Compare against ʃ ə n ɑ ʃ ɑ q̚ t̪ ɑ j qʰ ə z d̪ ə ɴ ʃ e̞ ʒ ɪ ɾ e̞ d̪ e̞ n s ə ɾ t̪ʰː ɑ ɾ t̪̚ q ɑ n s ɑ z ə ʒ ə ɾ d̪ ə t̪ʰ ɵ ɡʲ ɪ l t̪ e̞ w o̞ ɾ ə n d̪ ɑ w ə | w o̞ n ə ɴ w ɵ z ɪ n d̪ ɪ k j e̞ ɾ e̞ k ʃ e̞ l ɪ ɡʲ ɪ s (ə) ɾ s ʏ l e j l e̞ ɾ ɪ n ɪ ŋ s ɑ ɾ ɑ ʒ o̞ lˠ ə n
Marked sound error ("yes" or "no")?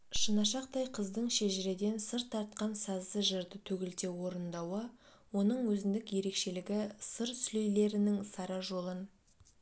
no